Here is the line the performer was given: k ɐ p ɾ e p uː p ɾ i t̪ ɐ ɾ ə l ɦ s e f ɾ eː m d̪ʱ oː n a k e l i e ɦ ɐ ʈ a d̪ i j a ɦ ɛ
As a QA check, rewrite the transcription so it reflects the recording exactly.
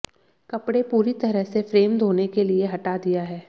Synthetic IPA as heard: k ɐ p ɽ e p uː ɾ i t̪ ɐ ɾ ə ɦ s e f ɾ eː m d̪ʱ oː n e k e l i e ɦ ɐ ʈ a d̪ i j a ɦ ɛː